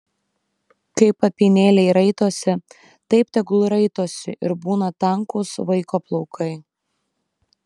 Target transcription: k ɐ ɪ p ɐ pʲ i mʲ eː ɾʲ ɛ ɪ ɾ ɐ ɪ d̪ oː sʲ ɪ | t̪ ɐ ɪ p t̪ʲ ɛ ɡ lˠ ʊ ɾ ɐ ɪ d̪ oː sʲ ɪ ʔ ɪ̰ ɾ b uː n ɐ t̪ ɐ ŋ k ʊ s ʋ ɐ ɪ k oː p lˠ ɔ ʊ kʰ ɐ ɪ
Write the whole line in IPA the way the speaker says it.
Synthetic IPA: k ɐ ɪ p ɐ pʲ i nʲ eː lʲ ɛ ɪ ɾ ɐ ɪ t̪ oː sʲ ɪ | t̪ ɐ ɪ p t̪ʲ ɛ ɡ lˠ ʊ ɾ ɐ ɪ t̪ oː sʲ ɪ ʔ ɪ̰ ɾ b uː n ɐ t̪ ɐ ŋ k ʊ s ʋ ɐ ɪ k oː p lˠ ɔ ʊ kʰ ɐ ɪ